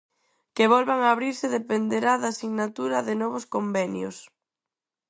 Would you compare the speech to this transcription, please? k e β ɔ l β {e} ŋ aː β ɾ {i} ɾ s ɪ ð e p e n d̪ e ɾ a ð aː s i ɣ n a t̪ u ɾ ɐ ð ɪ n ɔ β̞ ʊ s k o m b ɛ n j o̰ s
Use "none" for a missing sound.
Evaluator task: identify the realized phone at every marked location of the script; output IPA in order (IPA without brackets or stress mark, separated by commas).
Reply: a, i